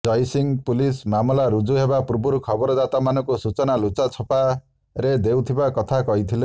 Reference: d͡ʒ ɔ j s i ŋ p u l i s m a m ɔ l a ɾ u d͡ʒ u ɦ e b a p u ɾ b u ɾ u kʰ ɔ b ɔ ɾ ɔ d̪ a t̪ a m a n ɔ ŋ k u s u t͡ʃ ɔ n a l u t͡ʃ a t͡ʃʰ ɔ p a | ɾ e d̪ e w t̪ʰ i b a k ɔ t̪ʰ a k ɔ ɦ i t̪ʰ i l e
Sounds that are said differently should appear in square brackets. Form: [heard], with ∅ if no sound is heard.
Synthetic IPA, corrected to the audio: d͡ʒ ɔ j s i ŋ p u l i s m a m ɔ l a ɾ u d͡ʒ u ɦ e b a p u ɾ b u ɾ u kʰ ɔ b ɔ ɾ ɔ d̪ a t̪ a m a n ɔ ŋ k u s u t͡ʃ ɔ n a l u t͡ʃ a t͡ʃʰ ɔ p a | ɾ e d̪ e w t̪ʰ i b a k ɔ t̪ʰ a k ɔ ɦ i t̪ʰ i l e